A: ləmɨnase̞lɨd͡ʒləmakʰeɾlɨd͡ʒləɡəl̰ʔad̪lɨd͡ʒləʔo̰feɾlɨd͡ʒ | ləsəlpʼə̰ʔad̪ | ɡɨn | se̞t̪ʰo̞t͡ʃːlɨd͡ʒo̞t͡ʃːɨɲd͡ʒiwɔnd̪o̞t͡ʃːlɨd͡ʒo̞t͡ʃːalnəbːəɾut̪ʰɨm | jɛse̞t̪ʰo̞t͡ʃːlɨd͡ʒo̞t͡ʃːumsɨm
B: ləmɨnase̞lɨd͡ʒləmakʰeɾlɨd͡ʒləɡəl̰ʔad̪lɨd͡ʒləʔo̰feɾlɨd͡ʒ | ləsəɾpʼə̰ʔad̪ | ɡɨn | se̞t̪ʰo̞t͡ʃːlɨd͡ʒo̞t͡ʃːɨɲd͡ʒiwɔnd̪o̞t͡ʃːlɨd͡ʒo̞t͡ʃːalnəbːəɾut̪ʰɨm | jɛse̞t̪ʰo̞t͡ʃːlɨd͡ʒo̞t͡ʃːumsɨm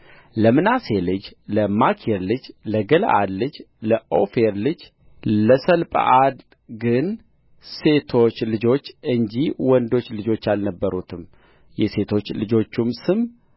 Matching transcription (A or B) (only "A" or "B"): A